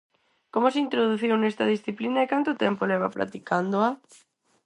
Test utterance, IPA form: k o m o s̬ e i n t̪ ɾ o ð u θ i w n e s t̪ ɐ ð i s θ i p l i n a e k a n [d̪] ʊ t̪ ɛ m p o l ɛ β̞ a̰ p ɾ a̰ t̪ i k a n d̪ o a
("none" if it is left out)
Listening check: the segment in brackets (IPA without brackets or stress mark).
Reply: t̪